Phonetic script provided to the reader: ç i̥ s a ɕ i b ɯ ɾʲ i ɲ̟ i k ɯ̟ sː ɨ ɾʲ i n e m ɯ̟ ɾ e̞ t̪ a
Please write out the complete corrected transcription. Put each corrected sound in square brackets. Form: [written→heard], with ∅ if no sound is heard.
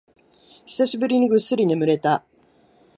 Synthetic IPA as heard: ç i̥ s a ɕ i b ɯ ɾʲ i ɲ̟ i [k→ɡ] ɯ̟ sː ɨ ɾʲ i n e m ɯ̟ ɾ e̞ t̪ a